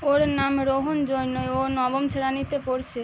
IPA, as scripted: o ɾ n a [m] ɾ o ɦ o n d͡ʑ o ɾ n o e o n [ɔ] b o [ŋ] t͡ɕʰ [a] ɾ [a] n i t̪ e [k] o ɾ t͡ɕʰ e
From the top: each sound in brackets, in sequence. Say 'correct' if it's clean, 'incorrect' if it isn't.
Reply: correct, correct, incorrect, incorrect, correct, incorrect

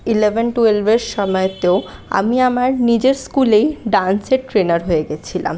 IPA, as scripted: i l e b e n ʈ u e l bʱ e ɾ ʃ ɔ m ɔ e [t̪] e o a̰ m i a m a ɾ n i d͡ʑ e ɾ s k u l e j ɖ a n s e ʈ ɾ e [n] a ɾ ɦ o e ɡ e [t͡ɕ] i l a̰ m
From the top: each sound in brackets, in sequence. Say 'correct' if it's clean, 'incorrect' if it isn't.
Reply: correct, correct, incorrect

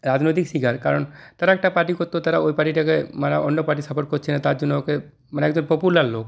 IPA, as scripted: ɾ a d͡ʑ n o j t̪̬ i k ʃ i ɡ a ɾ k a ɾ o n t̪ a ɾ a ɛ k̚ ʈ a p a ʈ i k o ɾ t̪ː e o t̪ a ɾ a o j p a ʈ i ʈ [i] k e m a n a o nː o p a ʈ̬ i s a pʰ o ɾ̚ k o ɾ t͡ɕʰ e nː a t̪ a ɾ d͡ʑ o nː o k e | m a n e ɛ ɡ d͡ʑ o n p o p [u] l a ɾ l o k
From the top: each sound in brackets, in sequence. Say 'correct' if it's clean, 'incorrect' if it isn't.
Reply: incorrect, correct

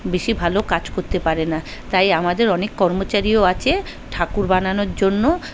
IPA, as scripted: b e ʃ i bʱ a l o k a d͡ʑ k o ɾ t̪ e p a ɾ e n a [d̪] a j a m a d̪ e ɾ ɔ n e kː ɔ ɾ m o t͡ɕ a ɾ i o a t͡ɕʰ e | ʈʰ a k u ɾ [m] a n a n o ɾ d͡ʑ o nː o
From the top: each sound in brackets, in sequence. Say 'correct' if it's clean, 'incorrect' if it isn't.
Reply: incorrect, incorrect

